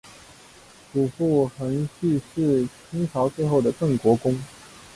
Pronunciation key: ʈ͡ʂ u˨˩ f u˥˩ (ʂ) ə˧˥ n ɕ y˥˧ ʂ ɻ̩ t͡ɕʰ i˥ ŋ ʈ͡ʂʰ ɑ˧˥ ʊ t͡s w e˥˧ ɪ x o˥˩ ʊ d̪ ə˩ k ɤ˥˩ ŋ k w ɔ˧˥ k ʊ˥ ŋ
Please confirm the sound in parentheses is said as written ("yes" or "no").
no